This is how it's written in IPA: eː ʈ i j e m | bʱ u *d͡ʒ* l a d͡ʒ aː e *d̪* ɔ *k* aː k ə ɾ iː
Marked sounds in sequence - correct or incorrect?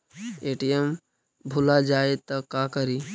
incorrect, incorrect, correct

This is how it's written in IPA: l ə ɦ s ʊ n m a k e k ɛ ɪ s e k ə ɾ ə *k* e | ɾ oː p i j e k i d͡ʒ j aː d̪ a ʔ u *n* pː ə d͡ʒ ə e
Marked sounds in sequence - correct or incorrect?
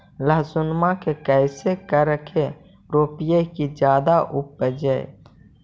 incorrect, incorrect

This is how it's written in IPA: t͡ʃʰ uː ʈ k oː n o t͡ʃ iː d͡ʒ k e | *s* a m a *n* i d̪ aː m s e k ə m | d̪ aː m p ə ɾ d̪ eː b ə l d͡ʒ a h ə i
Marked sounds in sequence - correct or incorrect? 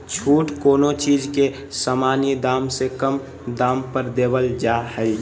correct, correct

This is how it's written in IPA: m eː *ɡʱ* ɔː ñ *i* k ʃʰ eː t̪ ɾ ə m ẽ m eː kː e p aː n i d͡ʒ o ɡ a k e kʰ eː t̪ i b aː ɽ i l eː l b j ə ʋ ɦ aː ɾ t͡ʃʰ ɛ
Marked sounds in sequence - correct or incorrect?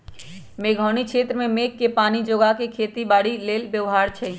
correct, correct

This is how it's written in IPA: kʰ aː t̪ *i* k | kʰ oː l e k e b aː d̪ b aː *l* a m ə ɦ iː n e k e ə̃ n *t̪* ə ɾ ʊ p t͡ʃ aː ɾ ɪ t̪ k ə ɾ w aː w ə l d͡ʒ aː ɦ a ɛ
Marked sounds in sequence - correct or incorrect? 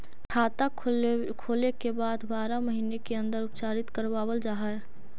incorrect, incorrect, incorrect

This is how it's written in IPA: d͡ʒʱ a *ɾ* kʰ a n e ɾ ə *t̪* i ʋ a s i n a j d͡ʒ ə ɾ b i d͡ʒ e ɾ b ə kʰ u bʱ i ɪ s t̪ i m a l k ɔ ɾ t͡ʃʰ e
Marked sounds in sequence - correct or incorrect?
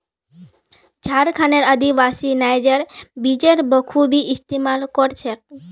correct, incorrect

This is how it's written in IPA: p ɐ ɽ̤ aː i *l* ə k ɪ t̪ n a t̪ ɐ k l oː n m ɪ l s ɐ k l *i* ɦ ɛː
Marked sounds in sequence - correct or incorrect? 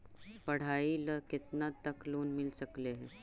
correct, incorrect

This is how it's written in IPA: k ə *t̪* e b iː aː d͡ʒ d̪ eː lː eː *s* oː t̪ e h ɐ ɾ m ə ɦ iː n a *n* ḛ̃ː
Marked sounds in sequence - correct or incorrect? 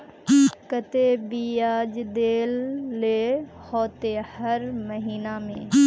correct, incorrect, incorrect

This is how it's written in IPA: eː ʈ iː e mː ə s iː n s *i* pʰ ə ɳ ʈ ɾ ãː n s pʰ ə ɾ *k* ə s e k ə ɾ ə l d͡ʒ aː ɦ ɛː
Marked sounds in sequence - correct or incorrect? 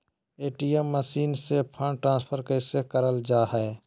incorrect, correct

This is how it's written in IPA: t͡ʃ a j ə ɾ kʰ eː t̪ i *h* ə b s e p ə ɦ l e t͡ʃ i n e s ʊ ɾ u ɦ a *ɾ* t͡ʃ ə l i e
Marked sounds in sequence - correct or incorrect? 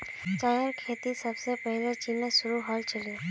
incorrect, incorrect

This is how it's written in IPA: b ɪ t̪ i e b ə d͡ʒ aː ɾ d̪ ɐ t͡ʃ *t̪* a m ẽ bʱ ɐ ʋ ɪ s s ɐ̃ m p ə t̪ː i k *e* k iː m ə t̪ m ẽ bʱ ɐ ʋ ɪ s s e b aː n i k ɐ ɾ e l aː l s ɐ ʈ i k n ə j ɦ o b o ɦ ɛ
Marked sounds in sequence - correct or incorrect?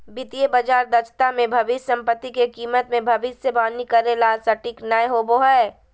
correct, correct

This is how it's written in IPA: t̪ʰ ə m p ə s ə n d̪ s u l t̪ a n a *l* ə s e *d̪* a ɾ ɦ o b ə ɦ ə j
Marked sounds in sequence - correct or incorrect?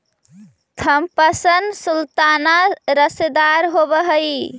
incorrect, correct

